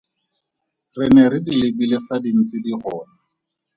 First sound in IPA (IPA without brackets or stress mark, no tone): r